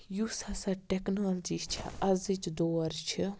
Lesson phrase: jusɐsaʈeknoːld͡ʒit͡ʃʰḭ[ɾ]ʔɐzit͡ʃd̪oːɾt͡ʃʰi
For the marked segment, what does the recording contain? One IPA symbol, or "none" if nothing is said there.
none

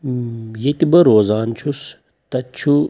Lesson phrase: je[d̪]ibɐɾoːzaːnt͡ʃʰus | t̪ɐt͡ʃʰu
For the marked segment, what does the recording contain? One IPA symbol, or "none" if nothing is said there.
t̪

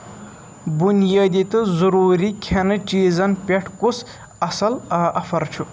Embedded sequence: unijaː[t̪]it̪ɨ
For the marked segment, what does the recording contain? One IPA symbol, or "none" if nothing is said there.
d̪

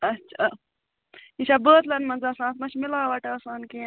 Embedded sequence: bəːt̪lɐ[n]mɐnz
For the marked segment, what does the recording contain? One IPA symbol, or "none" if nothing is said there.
n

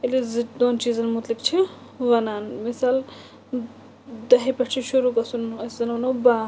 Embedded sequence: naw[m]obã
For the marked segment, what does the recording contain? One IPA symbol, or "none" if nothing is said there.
n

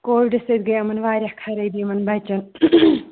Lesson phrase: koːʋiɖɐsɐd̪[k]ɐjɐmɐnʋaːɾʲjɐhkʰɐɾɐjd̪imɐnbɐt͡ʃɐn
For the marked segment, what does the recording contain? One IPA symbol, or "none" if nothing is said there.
ɡ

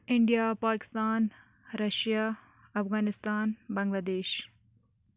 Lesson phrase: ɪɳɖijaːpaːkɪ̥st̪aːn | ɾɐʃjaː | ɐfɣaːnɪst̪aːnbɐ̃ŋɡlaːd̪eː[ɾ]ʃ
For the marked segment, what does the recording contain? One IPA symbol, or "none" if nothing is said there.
none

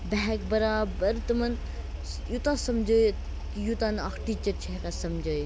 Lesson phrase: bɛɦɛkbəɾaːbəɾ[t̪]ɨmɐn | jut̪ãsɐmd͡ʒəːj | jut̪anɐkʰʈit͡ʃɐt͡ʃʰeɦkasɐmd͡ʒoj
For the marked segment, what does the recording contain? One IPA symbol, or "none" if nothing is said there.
t̪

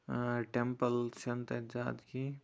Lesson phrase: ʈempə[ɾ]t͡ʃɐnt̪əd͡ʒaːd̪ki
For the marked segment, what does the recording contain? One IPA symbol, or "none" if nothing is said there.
l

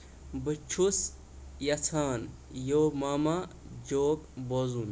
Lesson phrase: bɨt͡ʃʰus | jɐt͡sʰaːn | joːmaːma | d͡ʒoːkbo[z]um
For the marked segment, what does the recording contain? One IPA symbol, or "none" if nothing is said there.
z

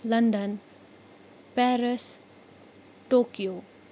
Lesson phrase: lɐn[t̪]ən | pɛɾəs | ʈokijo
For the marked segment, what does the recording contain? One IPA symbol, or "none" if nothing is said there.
d̪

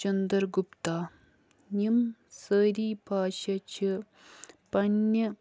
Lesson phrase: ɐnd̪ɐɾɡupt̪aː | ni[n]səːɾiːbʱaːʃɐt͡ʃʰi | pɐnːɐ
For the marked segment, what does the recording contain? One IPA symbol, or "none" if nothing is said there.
m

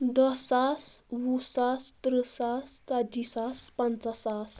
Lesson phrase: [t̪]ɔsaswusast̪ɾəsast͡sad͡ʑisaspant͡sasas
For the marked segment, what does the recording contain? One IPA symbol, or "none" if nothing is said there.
d̪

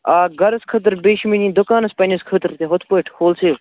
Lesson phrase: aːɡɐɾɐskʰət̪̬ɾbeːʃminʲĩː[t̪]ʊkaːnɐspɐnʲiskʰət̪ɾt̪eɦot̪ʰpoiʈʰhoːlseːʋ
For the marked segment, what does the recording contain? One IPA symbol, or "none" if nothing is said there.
d̪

